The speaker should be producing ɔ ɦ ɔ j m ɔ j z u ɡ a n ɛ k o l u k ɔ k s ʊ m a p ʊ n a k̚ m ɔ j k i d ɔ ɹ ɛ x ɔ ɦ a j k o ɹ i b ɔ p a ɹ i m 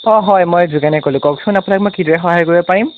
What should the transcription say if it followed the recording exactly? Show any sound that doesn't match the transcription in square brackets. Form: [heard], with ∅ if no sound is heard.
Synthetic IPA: ɔ ɦ ɔ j m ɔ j z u ɡ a n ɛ k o l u k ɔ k s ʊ [n] a p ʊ n a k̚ m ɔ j k i d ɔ ɹ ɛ x ɔ ɦ a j k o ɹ i b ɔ p a ɹ i m